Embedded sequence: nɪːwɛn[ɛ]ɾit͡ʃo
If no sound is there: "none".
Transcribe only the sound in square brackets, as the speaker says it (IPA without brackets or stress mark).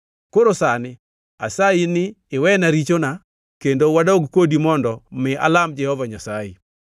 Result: a